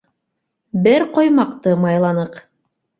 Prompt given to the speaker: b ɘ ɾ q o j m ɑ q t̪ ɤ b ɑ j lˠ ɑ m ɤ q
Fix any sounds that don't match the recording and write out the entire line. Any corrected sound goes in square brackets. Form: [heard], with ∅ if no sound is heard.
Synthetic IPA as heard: b ɘ ɾ q o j m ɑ q t̪ ɤ [m] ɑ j lˠ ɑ [n] ɤ q